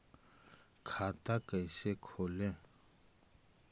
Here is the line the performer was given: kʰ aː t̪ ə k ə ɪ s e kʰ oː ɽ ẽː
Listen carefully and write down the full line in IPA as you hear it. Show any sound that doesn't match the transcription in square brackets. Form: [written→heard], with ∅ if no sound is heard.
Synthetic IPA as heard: kʰ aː t̪ [ə→a] k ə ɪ s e kʰ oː [ɽ→l] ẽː